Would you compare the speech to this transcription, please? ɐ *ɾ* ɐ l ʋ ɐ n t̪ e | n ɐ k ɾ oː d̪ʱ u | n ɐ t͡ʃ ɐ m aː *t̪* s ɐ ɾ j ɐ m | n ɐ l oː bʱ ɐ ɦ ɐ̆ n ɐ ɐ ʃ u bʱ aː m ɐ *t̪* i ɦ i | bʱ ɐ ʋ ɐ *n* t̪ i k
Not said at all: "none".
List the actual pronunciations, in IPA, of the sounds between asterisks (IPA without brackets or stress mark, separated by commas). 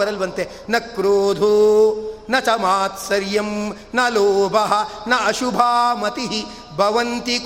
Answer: ɾ, t̪, t̪, n